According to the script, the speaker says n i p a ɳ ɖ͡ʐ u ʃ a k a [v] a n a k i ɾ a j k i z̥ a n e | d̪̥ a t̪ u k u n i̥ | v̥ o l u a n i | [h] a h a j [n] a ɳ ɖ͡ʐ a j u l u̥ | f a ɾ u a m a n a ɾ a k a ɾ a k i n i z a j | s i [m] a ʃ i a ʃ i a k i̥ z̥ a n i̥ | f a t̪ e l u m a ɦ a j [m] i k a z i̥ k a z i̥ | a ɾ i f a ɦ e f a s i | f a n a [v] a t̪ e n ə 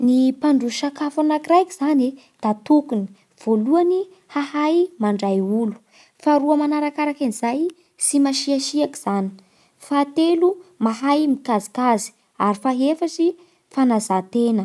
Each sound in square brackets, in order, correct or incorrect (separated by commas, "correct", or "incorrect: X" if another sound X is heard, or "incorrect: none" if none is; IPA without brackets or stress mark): incorrect: f, correct, incorrect: m, correct, correct, incorrect: z